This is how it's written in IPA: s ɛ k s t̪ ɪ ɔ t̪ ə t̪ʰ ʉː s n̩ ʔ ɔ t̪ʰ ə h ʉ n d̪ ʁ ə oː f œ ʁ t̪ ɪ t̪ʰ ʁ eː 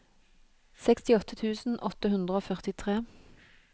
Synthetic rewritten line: s ɛ k s t̪ ɪ ɔ t̪ ə t̪ʰ ʉː s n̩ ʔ ɔ t̪ ə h ʉ n d̪ ʁ ə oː f œ ʁ t̪ ɪ t̪ʰ ʁ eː